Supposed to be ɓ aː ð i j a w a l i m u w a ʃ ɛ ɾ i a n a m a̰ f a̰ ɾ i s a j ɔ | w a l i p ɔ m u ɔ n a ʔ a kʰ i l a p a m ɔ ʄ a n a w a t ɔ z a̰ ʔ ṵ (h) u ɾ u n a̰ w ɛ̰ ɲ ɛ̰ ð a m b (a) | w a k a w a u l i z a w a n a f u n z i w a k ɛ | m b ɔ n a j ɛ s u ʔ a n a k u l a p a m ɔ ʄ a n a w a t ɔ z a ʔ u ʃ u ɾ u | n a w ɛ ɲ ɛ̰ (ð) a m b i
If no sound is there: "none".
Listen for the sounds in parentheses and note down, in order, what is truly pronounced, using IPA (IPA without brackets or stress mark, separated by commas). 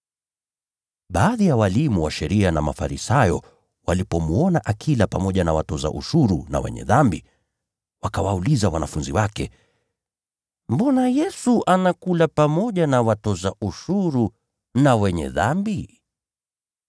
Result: ʃ, i, ð